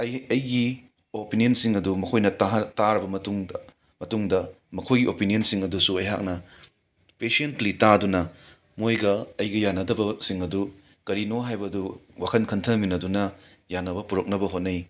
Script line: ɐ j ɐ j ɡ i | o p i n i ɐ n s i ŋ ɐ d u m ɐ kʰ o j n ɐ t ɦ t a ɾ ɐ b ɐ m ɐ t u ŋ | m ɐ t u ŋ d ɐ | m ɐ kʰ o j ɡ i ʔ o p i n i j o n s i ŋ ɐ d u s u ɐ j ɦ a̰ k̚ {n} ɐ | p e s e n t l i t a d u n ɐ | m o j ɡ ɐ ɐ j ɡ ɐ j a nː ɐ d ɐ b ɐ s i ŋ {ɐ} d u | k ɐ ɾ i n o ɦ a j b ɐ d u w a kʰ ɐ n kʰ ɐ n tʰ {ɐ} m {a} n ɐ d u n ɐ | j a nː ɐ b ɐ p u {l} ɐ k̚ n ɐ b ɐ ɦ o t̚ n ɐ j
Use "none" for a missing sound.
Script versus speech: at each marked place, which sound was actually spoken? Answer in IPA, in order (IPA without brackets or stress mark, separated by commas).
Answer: n, ɐ, ɐ, i, ɾ